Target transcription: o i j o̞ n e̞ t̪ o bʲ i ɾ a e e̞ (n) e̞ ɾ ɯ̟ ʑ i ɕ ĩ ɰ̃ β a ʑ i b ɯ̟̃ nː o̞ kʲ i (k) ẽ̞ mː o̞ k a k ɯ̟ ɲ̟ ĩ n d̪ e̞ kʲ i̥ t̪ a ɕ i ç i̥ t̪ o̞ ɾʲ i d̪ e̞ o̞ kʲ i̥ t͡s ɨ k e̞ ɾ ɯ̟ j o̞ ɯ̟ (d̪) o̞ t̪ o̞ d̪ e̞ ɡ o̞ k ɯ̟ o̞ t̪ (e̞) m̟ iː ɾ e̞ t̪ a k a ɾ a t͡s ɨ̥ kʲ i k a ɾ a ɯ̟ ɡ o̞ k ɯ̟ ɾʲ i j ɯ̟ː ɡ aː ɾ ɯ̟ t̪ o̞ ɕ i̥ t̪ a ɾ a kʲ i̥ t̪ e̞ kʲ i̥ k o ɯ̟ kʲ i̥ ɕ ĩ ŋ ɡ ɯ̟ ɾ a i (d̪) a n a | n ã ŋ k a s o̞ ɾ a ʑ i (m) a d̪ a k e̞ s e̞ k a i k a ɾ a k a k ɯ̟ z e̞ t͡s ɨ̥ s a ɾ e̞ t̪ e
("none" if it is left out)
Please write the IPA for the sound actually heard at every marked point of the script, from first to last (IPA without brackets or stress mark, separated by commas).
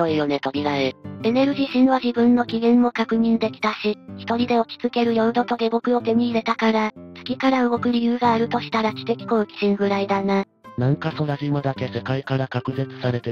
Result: n, ɡ, d̪, e̞, d̪, m